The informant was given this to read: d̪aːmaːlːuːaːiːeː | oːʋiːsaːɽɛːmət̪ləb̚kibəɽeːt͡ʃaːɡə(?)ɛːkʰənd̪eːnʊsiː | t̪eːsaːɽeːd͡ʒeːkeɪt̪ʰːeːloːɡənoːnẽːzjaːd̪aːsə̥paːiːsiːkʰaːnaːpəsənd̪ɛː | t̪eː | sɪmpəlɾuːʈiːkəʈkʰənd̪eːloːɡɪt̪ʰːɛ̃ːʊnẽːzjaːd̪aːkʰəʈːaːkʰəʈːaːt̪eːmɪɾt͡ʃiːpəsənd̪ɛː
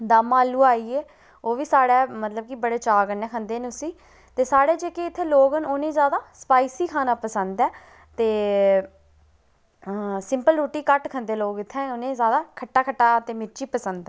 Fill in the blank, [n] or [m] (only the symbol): n